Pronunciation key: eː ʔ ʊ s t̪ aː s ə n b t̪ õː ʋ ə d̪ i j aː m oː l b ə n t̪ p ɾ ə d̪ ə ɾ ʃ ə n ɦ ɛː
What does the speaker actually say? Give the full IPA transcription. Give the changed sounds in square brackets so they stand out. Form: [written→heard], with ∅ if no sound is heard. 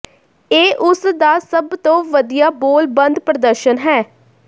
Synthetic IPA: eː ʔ ʊ s [t̪→d̪] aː s ə [n→∅] b t̪ õː ʋ ə d̪ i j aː [m→b] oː l b ə n [t̪→d̪] p ɾ ə d̪ ə ɾ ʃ ə n ɦ ɛː